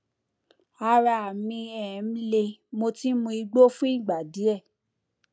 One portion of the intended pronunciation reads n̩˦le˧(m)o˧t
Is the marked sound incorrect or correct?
correct